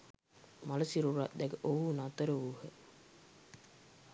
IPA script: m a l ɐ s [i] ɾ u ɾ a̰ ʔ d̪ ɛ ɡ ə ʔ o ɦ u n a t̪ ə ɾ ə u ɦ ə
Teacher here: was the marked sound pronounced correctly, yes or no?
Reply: yes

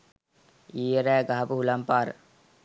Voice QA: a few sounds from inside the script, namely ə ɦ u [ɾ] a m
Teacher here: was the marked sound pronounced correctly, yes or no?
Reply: no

